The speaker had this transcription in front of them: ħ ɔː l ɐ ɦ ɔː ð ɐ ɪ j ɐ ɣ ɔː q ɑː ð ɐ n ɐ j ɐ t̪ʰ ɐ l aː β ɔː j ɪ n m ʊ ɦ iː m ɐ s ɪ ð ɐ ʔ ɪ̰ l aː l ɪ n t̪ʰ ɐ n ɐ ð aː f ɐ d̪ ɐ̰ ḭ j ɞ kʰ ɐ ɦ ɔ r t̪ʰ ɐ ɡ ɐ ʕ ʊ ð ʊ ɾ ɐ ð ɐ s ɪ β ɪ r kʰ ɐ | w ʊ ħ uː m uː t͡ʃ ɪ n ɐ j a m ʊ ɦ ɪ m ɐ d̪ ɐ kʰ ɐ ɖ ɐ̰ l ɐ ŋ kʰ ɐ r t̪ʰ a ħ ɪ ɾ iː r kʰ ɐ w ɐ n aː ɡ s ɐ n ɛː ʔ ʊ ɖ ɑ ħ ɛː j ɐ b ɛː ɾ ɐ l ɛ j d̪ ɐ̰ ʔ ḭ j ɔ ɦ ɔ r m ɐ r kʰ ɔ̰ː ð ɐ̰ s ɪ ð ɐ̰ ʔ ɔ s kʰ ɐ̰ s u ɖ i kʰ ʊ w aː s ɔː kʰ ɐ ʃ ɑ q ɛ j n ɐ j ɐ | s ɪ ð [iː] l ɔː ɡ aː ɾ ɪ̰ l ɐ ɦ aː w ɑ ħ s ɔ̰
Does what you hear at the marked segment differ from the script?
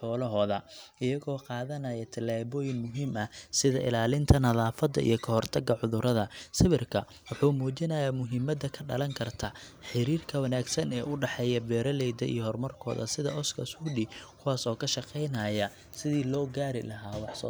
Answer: no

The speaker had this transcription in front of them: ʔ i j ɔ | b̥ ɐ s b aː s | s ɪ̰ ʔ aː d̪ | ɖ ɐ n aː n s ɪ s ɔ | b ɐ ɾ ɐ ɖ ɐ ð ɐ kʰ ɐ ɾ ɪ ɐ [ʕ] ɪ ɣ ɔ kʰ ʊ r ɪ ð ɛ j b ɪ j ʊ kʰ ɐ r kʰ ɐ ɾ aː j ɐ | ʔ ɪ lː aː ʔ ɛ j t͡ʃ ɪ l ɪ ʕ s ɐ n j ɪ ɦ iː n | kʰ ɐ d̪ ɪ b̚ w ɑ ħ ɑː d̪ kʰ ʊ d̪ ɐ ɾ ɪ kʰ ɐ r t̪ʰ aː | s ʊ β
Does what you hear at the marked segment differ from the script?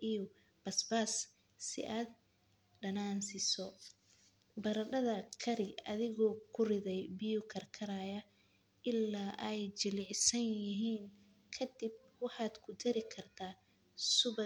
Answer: yes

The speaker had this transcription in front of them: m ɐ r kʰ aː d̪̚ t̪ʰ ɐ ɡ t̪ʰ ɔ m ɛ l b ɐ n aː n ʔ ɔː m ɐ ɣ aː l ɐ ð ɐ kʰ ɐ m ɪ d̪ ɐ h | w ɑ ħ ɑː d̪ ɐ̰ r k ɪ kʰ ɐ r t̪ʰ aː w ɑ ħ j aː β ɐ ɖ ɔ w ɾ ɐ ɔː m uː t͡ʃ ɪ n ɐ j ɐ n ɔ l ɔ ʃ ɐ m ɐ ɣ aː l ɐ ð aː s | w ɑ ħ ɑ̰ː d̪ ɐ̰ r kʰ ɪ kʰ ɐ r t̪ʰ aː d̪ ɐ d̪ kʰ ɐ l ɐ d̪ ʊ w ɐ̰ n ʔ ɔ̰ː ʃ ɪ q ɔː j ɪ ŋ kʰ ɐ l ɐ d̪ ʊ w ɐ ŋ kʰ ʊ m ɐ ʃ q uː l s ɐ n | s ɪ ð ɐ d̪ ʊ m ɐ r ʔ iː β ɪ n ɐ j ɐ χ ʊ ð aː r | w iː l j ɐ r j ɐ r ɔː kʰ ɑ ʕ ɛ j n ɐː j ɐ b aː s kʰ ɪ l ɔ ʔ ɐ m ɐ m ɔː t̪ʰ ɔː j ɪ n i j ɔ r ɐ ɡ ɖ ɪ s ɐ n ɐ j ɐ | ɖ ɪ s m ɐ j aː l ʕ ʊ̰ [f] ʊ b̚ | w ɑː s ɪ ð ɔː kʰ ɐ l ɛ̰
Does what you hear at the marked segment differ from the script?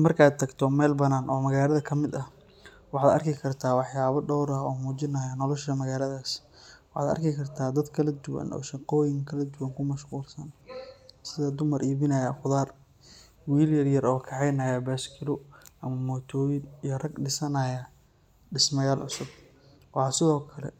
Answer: yes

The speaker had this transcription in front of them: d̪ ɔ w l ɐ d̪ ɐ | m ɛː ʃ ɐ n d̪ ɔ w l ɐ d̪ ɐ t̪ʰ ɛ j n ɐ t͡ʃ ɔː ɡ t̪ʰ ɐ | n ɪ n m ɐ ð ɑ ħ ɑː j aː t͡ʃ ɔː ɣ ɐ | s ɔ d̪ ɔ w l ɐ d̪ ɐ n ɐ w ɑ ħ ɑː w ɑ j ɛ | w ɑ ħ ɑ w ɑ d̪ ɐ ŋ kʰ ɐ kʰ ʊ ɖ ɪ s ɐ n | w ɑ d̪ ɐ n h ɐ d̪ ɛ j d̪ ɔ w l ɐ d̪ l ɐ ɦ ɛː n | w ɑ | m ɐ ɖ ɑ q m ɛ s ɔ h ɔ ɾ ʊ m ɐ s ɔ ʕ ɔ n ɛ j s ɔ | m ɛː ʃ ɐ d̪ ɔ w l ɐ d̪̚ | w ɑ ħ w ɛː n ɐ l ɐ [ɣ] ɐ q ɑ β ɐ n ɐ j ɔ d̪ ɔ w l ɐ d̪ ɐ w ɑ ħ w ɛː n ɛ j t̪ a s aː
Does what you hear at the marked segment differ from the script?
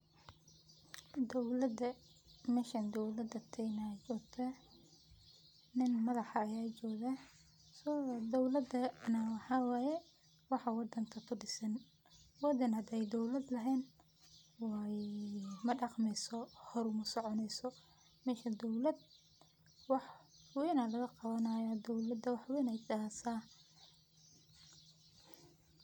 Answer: no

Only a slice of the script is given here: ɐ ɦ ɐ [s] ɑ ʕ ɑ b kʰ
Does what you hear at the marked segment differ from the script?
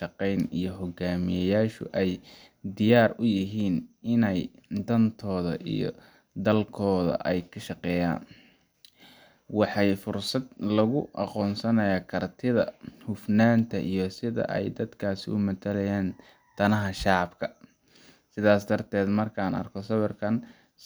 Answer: yes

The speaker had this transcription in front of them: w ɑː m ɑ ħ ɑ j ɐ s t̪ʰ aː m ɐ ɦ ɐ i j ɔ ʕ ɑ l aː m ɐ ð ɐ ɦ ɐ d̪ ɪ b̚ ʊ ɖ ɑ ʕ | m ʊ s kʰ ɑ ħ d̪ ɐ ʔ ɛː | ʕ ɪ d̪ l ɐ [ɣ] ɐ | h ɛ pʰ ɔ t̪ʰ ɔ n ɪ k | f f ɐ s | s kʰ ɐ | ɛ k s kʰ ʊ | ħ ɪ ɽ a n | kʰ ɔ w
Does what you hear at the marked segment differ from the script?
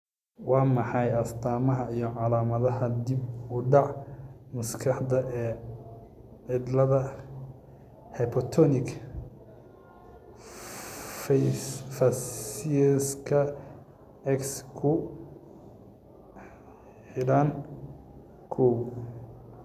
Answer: yes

